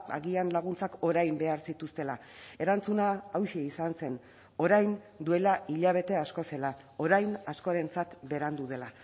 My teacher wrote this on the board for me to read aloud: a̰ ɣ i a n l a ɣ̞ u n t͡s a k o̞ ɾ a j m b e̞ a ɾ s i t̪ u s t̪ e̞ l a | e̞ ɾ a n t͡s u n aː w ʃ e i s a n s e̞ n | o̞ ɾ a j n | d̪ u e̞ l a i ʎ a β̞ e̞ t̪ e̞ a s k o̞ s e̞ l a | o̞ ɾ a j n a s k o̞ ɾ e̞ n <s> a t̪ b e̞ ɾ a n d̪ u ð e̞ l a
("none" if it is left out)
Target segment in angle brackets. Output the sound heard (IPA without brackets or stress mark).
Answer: t͡s